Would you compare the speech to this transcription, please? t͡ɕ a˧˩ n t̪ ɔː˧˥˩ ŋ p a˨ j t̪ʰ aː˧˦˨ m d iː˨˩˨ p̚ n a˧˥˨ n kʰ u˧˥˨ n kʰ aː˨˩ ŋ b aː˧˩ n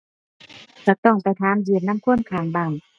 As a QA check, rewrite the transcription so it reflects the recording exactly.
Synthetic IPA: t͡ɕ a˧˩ t̪ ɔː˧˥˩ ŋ p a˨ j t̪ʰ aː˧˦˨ m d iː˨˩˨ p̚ n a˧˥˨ m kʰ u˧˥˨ n kʰ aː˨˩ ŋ b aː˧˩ ŋ